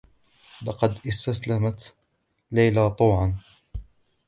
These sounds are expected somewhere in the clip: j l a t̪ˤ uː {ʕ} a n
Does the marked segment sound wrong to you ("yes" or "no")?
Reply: no